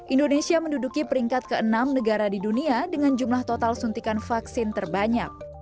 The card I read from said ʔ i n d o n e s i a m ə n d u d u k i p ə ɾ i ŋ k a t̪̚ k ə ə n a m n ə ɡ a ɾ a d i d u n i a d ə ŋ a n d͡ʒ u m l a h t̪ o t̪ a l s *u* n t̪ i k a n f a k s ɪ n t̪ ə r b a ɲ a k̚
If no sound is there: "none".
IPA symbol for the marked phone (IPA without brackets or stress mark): u